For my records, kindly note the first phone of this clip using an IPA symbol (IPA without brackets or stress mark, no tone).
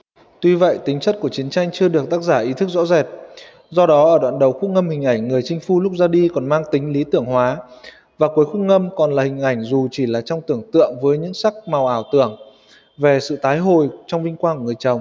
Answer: t̪